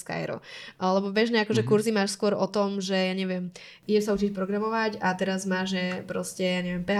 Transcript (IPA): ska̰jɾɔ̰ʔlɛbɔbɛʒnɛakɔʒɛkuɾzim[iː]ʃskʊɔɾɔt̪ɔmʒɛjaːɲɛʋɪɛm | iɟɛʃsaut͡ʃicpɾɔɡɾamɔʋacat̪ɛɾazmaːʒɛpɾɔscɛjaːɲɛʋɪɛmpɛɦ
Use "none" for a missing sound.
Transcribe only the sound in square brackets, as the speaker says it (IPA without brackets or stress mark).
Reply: aː